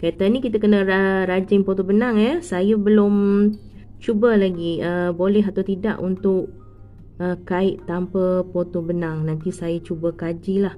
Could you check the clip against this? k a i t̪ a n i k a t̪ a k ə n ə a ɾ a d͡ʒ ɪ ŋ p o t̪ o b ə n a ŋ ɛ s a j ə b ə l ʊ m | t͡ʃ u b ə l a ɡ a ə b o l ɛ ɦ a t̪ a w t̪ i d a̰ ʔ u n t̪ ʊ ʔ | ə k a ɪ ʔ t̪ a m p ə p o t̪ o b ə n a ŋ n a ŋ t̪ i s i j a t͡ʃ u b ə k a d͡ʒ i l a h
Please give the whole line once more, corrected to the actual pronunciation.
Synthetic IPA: k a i t̪ a n i k i t̪ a k ə n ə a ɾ a d͡ʒ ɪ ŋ p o t̪ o b ə n a ŋ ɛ s a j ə b ə l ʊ m | t͡ʃ u b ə l a ɡ i ə b o l ɛ ɦ a t̪ a w t̪ i d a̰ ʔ u n t̪ ʊ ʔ | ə k a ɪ ʔ t̪ a m p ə p o t̪ o b ə n a ŋ n a n t̪ i s a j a t͡ʃ u b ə k a d͡ʒ i l a h

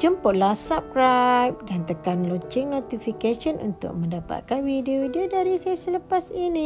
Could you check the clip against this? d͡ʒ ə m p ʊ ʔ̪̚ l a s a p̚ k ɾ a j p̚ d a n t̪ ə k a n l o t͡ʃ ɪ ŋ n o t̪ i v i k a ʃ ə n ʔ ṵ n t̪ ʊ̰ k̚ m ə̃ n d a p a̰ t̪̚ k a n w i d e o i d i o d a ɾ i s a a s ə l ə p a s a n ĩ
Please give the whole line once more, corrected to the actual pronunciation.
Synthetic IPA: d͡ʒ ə m p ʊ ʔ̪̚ l a s a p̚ k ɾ a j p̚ d a n t̪ ə k a n l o t͡ʃ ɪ ŋ n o t̪ i f i k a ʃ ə n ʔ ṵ n t̪ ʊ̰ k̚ m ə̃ n d a p a̰ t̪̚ k a n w i d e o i d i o d a ɾ i s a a s ə l ə p a s i n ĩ

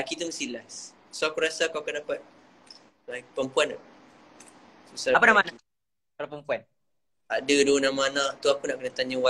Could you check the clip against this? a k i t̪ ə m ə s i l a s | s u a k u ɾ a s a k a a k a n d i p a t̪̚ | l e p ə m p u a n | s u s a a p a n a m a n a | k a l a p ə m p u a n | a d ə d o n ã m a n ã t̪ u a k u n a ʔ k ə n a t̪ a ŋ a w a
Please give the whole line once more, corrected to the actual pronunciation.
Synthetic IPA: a k i t̪ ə m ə s i l a s | s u a k u ɾ a s a k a a k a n d a p a t̪̚ | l a p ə m p u a n | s u s a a p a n a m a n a | k a l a p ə m p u a n | a d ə d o n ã m a n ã t̪ u a k u n a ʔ k ə n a t̪ a ɲ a w a

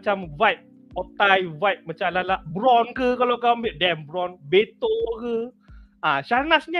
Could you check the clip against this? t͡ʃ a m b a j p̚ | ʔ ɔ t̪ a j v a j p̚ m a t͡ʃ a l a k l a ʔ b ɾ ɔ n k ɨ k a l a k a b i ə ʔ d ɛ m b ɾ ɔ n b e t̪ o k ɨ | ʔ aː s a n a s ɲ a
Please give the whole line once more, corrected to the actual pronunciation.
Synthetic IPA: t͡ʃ a m v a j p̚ | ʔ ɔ t̪ a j v a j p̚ m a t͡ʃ a l a l a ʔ b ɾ ɔ n k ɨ k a l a k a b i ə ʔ d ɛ m b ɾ ɔ n b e t̪ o k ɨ | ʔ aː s a n a s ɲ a

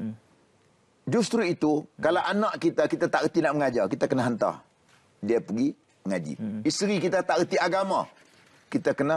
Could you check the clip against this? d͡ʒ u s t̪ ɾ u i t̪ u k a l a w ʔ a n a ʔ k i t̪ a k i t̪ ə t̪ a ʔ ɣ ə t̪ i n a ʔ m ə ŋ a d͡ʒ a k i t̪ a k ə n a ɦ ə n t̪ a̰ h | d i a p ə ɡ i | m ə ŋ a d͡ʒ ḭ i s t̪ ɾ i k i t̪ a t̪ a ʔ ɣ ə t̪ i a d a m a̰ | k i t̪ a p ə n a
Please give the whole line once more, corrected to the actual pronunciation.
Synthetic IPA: d͡ʒ u s t̪ ɾ u i t̪ u k a l a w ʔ a n a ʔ k i t̪ a k i t̪ a t̪ a ʔ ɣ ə t̪ i n a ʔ m ə ŋ a d͡ʒ a k i t̪ a k ə n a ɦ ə n t̪ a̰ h | d i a p ə ɡ i | m ə ŋ a d͡ʒ ḭ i s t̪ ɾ i k i t̪ a t̪ a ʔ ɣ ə t̪ i a ɡ a m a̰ | k i t̪ a k ə n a

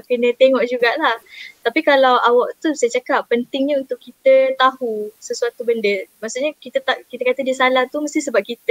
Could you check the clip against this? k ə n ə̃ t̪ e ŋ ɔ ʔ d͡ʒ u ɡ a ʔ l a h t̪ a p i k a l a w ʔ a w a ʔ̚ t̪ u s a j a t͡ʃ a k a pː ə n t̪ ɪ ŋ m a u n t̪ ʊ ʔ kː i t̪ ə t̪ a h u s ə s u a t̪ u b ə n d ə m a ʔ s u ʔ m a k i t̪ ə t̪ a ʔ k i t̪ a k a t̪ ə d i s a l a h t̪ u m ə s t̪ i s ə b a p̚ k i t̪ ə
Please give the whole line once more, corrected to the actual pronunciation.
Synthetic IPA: k ə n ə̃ t̪ e ŋ ɔ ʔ d͡ʒ u ɡ a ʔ l a h t̪ a p i k a l a w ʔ a w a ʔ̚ t̪ u s a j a t͡ʃ a k a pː ə n t̪ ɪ ŋ ɲ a u n t̪ ʊ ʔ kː i t̪ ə t̪ a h u s ə s u a t̪ u b ə n d ə m a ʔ s u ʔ ɲ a k i t̪ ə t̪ a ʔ k i t̪ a k a t̪ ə d i s a l a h t̪ u m ə s t̪ i s ə b a p̚ k i t̪ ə

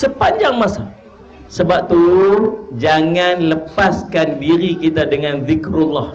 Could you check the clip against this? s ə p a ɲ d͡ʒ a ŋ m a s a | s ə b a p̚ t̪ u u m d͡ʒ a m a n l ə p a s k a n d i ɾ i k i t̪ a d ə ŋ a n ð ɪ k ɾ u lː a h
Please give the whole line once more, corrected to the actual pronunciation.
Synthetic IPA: s ə p a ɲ d͡ʒ a ŋ m a s a | s ə b a p̚ t̪ u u d͡ʒ a ŋ a n l ə p a s k a n d i ɾ i k i t̪ a d ə ŋ a n ð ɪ k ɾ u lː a h

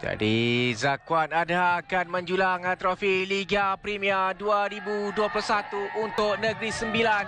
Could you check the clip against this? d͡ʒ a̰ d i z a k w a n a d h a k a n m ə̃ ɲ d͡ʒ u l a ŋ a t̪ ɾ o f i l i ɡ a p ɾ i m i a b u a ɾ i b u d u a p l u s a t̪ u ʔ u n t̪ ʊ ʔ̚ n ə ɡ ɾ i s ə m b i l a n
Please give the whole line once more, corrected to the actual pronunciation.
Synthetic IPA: d͡ʒ a̰ d i z a k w a n a d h a k a n m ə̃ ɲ d͡ʒ u l a ŋ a t̪ ɾ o f i l i ɡ a p ɾ i m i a d u a ɾ i b u d u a p l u s a t̪ u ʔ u n t̪ ʊ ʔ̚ n ə ɡ ɾ i s ə m b i l a n

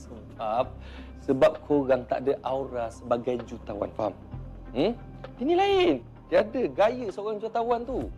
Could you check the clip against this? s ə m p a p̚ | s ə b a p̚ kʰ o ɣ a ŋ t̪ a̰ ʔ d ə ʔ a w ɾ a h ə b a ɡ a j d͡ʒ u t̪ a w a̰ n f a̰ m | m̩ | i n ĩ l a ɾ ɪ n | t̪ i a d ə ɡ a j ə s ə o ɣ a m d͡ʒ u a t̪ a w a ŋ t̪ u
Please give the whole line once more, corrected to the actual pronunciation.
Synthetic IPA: s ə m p a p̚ | s ə b a p̚ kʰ o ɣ a ŋ t̪ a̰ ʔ d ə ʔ a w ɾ a s ə b a ɡ a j d͡ʒ u t̪ a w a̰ n f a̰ m | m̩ | i n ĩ l a ɪ n | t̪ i a d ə ɡ a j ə s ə o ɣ a ŋ d͡ʒ u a t̪ a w a n t̪ u

